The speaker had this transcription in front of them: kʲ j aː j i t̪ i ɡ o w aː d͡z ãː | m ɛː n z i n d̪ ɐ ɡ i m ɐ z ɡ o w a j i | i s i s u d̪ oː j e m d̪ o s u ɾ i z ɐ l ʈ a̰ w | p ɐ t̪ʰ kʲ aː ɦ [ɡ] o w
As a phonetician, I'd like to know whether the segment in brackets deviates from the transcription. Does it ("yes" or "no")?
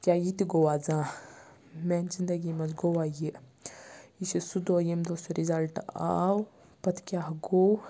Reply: no